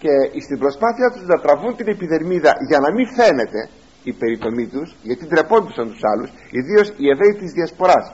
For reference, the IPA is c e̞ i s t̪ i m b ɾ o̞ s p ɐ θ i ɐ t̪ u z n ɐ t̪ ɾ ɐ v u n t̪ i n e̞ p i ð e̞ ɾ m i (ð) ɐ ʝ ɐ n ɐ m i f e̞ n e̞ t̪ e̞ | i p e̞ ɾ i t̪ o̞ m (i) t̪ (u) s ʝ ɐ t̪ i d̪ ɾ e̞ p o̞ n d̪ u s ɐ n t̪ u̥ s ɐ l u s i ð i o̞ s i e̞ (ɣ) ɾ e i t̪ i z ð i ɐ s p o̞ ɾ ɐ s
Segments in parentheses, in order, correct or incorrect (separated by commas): correct, correct, correct, incorrect